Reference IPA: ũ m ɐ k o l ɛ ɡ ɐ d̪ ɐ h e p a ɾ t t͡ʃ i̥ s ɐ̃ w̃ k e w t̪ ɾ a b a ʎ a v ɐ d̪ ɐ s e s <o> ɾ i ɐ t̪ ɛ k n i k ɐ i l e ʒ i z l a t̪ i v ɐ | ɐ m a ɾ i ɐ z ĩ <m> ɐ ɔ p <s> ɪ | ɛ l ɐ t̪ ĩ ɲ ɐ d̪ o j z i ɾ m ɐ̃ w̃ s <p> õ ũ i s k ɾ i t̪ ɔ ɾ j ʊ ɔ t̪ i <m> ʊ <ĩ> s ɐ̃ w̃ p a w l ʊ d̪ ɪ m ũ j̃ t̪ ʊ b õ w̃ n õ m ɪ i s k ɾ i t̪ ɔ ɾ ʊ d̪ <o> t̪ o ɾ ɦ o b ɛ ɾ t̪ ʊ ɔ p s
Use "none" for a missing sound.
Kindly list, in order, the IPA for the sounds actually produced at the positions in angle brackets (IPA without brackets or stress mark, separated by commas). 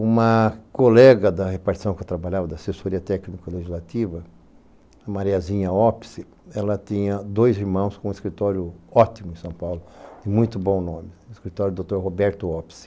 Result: o, ɲ, s, k, m, ẽ, o